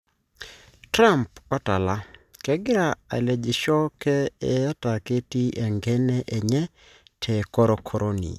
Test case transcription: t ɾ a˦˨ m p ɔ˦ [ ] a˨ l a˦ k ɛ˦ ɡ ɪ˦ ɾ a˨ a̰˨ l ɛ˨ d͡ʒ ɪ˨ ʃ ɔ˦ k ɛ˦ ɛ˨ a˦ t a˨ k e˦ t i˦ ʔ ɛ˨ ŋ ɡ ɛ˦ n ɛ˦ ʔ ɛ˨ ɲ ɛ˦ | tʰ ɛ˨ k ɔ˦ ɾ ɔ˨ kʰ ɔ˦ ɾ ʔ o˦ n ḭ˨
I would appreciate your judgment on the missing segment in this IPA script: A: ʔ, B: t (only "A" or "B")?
B